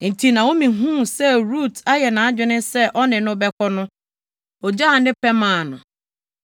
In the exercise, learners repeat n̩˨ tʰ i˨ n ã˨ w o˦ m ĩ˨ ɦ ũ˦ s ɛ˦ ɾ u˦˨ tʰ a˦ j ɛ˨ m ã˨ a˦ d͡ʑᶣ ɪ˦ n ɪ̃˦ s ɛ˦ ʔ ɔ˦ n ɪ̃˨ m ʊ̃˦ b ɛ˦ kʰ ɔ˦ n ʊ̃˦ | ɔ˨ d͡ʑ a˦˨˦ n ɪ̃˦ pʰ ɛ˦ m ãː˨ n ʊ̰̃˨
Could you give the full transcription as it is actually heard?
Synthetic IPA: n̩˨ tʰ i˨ n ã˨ w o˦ m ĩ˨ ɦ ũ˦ s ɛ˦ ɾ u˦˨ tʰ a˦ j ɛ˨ n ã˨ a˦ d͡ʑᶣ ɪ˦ n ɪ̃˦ s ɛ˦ ʔ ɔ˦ n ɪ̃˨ n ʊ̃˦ b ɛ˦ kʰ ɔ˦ n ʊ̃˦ | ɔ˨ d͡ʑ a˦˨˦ n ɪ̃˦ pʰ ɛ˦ m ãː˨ n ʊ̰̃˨